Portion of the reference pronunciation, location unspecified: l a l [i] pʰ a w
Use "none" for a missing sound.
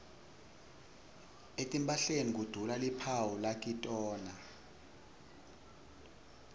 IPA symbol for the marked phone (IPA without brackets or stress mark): i